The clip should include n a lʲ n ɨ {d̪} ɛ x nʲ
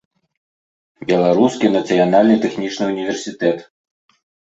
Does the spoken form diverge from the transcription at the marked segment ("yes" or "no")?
yes